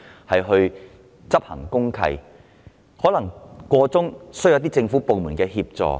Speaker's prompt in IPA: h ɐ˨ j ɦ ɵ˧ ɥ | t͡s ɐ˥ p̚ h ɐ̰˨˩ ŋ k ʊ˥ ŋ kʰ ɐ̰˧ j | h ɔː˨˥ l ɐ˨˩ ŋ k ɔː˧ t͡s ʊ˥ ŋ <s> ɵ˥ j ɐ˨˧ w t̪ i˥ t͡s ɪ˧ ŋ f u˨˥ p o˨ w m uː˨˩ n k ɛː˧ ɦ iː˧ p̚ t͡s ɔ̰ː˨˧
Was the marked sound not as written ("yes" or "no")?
no